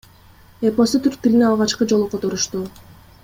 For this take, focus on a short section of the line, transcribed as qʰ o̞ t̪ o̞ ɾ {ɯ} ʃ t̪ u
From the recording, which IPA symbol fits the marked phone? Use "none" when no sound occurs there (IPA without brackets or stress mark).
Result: u